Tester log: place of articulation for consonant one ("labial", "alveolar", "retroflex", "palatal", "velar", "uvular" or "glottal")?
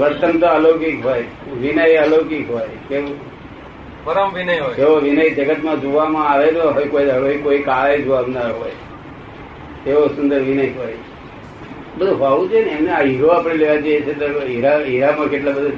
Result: labial